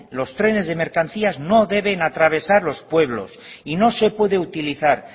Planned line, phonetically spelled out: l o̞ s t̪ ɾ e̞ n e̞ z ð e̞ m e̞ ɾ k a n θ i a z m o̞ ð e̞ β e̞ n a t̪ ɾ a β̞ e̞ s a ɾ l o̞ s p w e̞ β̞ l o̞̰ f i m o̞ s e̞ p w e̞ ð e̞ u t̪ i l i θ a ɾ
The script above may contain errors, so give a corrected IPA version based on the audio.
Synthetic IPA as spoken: l o̞ s t̪ ɾ e̞ n e̞ z ð e̞ m e̞ ɾ k a n θ i a z n o̞ ð e̞ β e̞ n a t̪ ɾ a β̞ e̞ s a ɾ l o̞ s p w e̞ β̞ l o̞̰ s i n o̞ s e̞ p w e̞ ð e̞ u t̪ i l i θ a ɾ